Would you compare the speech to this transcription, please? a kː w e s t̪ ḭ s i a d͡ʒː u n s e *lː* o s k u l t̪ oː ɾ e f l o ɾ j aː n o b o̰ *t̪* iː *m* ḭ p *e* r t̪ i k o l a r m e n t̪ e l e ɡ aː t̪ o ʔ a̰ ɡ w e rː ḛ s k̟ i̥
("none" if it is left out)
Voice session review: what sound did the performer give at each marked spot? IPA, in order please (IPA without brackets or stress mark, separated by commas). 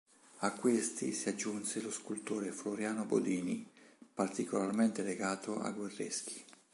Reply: l, d̪, n, a